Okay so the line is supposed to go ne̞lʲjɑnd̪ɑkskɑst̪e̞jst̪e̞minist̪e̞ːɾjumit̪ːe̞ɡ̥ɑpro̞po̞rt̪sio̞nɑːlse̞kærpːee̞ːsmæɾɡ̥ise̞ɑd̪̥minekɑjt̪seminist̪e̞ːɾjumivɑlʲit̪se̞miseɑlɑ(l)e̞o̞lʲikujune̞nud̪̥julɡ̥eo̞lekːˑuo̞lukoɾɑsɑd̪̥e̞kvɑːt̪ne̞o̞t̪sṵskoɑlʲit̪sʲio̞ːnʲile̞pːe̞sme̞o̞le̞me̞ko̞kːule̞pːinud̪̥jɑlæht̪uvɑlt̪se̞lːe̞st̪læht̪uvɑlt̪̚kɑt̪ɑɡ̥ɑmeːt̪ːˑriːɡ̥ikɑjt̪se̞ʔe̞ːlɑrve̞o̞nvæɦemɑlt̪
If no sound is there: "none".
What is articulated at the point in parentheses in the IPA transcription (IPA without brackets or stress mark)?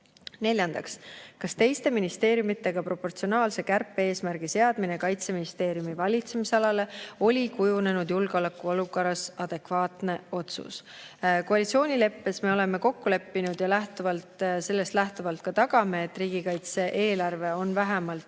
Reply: l